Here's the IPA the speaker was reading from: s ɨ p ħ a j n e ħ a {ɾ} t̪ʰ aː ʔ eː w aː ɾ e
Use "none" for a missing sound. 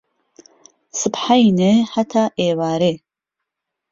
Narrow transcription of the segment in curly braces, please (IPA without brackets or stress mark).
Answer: none